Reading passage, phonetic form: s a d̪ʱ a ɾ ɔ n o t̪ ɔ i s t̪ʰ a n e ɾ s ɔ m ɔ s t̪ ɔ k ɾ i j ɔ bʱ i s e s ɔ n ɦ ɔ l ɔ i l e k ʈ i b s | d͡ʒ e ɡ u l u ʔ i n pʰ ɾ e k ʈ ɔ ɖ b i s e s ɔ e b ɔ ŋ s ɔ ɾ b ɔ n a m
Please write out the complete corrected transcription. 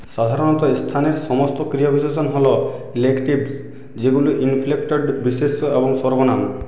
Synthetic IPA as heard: s a d̪ʱ a ɾ ɔ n ɔ t̪ ɔ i s t̪ʰ a n e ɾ s ɔ m ɔ s t̪ ɔ k ɾ i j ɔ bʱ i s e s ɔ n ɦ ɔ l ɔ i l e k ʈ i b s | d͡ʒ e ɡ u l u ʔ i n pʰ l e k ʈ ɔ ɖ b i s e s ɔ e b ɔ ŋ s ɔ ɾ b ɔ n a m